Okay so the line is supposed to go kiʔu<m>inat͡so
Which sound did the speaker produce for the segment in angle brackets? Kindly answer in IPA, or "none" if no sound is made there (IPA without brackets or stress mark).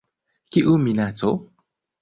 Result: m